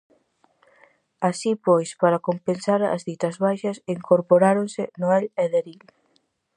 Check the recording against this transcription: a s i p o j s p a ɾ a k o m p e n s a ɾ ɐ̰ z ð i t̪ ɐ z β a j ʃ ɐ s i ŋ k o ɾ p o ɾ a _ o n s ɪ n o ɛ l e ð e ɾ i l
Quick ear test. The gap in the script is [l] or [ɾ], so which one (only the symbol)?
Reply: ɾ